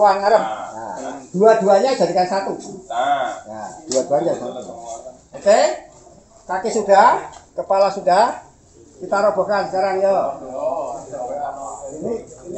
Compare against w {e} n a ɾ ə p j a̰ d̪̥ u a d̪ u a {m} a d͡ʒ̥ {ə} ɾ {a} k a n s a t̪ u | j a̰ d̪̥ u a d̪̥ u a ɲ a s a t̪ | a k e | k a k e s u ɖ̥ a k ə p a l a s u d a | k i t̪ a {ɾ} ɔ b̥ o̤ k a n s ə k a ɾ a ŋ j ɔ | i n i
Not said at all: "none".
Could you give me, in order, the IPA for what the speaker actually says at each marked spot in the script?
a, ɲ, a, i, ɾ

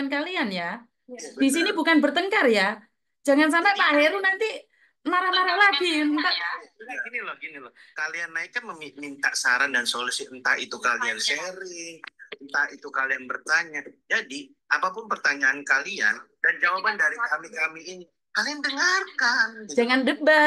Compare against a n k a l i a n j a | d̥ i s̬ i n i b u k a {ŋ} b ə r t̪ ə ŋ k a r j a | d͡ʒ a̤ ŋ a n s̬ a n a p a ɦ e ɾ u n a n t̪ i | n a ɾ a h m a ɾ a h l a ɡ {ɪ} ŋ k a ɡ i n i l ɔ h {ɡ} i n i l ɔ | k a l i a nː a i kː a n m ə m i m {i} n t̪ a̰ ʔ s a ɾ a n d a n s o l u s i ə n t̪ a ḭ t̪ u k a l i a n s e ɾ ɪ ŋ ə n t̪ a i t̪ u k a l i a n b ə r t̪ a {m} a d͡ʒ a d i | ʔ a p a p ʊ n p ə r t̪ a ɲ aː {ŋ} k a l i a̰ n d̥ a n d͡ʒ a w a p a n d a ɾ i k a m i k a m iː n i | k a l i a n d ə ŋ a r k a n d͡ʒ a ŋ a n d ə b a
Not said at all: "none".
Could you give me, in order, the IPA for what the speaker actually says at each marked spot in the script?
n, i, ɡ, i, ɲ, n

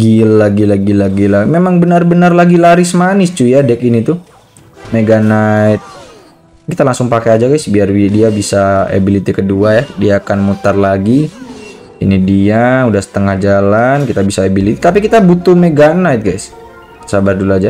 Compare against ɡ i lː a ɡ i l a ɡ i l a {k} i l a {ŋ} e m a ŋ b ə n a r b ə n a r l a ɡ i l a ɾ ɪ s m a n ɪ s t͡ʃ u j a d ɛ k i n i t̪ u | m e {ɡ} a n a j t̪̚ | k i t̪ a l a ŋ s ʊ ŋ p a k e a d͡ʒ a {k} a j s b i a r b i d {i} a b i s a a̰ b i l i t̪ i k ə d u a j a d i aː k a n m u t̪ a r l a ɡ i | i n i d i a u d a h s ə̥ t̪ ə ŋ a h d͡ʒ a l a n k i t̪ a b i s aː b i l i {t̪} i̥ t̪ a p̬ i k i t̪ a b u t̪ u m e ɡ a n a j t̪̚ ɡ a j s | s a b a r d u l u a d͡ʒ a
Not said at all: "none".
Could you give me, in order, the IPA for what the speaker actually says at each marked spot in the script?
ɡ, m, ɡ, ɡ, i, t̪

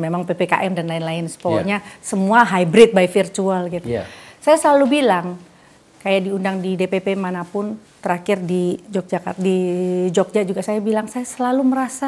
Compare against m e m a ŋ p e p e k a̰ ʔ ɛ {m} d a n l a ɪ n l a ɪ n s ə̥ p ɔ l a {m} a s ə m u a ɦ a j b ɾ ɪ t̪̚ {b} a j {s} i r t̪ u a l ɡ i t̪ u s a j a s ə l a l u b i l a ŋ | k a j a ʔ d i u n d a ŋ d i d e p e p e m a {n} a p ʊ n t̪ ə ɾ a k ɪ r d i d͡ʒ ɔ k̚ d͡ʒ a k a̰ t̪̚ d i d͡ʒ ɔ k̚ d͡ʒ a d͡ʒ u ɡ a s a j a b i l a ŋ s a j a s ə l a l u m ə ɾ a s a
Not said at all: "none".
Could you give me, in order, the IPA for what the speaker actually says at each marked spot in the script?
m, ɲ, b, f, n

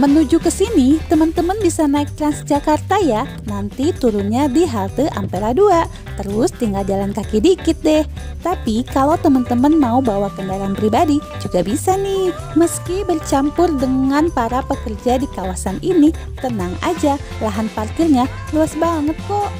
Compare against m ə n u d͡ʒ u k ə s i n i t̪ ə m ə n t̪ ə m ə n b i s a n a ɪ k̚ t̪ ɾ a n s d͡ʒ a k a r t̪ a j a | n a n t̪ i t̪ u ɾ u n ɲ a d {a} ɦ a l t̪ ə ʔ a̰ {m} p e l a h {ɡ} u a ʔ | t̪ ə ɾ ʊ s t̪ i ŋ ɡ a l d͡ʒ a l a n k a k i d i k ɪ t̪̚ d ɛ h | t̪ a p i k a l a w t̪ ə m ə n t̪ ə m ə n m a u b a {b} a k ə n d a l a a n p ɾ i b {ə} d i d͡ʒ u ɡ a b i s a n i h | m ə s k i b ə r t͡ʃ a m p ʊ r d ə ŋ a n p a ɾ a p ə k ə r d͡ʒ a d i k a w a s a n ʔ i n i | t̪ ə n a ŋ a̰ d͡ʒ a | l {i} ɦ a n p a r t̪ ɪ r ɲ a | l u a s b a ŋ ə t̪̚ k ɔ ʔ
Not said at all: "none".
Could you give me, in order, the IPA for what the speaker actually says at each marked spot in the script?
i, m, d, w, a, a

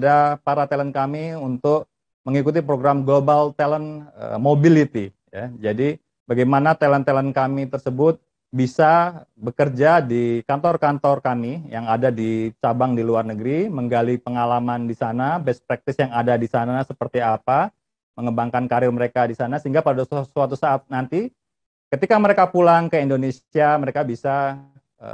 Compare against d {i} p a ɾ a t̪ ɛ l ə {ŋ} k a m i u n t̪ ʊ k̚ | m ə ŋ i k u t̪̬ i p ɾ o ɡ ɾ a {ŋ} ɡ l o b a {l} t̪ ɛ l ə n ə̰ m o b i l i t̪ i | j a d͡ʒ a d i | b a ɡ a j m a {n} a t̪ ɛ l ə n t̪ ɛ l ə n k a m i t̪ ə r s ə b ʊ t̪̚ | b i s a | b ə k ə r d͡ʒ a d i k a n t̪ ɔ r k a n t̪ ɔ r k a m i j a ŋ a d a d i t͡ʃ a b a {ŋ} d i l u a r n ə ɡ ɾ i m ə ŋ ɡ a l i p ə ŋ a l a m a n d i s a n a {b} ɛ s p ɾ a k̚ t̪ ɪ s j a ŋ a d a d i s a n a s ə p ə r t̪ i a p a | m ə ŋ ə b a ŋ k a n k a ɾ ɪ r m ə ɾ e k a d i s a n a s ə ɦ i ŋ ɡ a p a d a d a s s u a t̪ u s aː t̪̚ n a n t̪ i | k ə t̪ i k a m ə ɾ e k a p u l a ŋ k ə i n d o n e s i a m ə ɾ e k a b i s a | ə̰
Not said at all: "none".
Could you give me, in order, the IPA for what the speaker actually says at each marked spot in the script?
a, n, m, l, n, ŋ, b

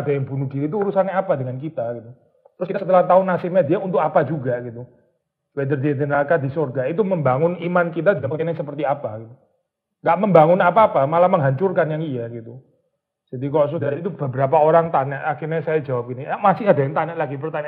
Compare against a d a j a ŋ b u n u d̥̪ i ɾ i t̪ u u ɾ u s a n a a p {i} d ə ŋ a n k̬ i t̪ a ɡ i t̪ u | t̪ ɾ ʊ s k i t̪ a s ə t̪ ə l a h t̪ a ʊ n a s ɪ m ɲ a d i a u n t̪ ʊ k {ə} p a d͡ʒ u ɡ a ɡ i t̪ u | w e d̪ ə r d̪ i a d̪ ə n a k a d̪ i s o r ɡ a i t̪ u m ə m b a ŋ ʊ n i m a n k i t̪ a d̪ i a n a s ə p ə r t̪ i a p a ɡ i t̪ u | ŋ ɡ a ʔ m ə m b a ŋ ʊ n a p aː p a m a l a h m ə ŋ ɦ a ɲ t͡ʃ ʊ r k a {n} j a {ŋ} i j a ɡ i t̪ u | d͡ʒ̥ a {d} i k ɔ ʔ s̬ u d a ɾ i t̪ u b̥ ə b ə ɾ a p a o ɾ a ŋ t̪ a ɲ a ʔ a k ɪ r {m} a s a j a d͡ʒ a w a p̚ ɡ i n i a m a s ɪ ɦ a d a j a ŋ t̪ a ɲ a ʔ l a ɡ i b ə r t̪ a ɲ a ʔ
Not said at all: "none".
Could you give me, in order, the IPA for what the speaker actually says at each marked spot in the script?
a, a, n, ŋ, d, ɲ

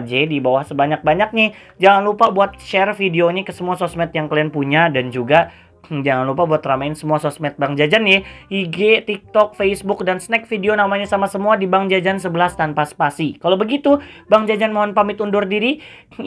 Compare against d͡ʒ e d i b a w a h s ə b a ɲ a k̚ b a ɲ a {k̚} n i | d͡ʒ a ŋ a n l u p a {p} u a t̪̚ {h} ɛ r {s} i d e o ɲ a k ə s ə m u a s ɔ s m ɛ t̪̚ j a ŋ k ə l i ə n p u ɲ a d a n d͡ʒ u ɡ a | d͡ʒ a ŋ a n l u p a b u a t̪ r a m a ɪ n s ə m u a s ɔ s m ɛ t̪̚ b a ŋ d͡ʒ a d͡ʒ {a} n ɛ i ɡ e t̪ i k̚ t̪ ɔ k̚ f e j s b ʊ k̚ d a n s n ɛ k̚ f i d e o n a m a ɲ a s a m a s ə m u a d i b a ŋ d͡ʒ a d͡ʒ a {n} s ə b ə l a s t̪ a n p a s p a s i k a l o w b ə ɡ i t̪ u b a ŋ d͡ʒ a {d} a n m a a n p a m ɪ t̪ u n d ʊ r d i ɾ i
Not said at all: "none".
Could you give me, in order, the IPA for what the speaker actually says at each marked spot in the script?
k̚, b, ʃ, f, a, n, d͡ʒ

